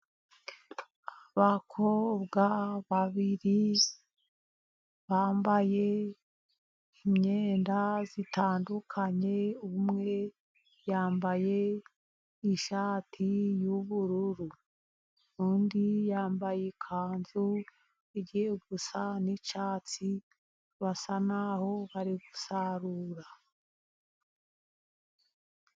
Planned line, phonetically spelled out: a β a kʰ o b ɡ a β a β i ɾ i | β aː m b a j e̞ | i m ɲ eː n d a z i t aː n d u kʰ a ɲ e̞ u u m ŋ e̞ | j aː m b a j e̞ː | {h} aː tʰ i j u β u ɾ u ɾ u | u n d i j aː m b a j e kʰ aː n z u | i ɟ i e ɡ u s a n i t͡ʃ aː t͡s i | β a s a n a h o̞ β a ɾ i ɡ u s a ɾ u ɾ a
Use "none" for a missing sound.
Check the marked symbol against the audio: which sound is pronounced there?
ʃ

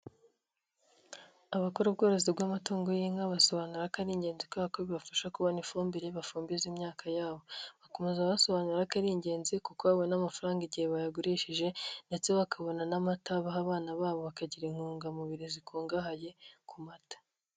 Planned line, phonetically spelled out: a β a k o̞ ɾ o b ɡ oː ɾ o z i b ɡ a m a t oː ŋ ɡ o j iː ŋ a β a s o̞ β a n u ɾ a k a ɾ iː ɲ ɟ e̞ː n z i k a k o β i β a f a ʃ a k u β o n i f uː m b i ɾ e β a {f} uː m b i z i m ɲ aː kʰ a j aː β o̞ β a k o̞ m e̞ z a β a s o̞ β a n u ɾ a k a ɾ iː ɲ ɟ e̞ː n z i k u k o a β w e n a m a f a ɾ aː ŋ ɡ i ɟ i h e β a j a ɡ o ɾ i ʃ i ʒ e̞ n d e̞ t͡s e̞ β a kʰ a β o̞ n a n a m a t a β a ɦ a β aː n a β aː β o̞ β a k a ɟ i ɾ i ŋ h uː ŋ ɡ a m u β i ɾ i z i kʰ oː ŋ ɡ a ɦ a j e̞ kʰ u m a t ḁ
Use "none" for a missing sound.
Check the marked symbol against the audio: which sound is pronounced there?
f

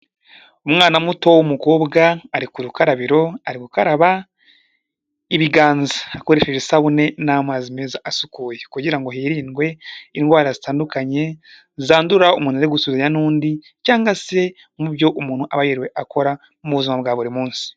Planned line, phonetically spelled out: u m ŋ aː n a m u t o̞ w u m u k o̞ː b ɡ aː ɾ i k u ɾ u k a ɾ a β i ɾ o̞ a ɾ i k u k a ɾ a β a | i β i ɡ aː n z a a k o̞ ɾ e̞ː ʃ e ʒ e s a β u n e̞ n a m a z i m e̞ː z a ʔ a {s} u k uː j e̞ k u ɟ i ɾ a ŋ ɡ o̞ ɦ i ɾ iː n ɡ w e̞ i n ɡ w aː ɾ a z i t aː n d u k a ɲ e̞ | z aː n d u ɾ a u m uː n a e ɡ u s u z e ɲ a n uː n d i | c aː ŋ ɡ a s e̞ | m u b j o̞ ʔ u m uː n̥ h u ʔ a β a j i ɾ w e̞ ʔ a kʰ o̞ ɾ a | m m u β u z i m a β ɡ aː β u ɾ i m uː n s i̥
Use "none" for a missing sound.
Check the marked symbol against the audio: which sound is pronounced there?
s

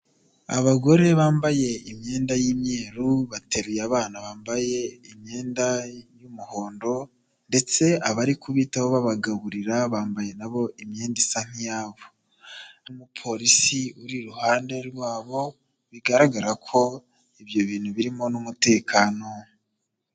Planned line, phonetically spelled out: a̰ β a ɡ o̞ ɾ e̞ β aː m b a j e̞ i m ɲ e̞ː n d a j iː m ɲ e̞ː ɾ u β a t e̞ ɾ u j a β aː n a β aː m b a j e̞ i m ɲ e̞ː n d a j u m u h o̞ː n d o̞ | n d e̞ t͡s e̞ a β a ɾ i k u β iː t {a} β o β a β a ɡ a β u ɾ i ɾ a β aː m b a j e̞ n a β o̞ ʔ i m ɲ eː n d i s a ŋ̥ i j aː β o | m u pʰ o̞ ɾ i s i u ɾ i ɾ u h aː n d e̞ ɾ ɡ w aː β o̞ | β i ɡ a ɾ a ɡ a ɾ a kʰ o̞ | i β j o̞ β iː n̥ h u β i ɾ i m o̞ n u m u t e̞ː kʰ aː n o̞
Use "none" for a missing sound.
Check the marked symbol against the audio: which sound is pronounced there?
a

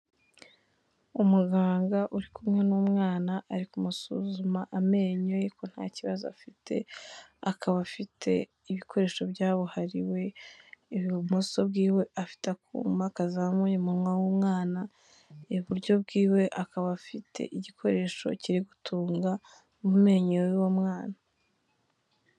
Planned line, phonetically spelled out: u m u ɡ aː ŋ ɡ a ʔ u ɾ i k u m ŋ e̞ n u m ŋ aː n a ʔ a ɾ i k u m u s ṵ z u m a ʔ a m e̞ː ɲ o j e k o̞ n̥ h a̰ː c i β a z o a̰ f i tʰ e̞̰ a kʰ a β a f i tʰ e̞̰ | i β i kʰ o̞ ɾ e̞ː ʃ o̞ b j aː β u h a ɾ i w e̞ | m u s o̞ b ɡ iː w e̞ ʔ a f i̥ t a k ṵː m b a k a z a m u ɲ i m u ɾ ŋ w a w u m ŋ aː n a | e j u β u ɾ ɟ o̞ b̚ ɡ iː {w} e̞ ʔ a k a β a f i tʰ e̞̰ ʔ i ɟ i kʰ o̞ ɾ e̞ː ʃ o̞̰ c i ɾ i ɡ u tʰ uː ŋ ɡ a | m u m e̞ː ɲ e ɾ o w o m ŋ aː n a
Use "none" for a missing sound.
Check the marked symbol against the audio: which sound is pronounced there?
w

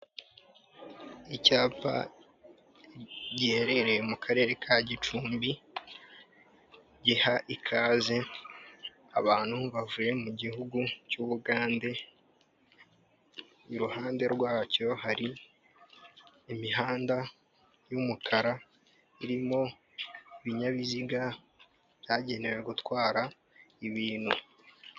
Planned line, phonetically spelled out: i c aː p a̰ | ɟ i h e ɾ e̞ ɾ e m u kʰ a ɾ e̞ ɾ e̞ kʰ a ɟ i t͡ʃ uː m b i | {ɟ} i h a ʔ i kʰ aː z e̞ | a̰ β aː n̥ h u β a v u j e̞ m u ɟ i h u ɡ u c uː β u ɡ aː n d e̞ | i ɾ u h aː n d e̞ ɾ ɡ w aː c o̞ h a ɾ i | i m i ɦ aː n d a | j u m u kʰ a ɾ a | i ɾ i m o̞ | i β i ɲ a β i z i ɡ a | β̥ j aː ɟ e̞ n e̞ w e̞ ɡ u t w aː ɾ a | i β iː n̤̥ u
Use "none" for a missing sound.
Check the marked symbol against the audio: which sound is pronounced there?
ɟ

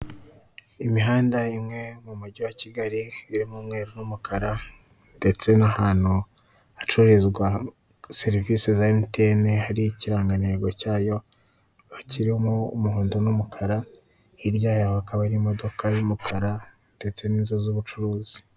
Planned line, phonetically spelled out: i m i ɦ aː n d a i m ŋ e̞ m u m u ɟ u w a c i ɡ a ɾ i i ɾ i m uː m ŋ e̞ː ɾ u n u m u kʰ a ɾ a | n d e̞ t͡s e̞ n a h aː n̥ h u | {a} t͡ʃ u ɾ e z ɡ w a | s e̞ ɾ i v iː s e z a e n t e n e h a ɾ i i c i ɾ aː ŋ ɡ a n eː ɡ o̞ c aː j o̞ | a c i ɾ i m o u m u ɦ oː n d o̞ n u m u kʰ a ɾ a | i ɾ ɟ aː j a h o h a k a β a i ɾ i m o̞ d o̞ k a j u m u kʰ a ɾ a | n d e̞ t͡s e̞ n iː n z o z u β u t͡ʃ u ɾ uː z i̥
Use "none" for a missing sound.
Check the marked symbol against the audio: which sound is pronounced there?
a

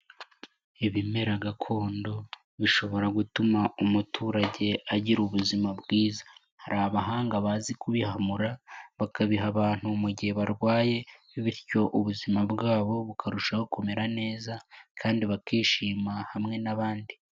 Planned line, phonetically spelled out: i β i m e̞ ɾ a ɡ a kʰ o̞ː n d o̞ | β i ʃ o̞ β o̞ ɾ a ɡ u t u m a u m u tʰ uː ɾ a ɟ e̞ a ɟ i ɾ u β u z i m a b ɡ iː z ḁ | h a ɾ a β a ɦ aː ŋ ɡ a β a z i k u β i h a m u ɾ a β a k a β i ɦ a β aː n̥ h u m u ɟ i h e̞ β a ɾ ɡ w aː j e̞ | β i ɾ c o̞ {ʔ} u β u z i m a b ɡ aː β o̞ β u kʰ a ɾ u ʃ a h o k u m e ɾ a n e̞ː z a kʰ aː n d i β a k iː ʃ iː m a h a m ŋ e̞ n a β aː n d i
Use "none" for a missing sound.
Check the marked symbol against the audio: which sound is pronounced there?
ʔ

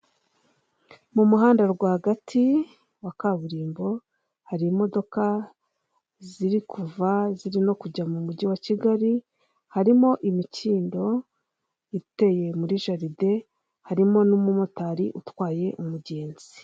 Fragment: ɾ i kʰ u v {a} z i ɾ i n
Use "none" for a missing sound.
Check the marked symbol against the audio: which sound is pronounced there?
a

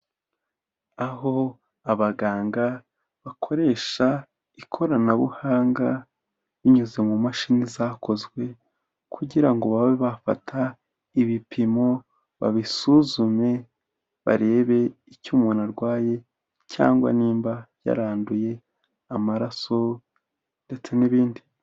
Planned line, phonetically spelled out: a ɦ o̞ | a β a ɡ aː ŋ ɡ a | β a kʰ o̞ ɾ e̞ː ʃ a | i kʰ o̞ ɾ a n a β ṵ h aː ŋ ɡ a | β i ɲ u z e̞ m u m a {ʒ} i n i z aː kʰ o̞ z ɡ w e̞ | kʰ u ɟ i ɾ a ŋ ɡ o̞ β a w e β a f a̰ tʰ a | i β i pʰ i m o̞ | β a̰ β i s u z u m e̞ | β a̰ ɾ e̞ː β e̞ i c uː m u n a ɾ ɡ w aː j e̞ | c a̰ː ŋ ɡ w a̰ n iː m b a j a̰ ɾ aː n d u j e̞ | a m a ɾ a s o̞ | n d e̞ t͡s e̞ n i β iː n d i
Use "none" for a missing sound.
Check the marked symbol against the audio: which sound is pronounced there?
ʃ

